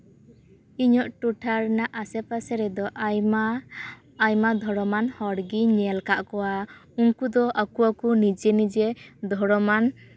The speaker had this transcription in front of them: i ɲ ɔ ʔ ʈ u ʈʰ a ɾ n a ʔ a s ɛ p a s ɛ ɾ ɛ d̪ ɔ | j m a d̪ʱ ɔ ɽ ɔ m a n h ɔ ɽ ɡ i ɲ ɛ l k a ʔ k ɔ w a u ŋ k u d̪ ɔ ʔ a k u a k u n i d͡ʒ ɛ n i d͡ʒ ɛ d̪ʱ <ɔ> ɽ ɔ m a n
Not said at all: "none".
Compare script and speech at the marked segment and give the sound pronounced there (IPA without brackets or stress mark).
ɔ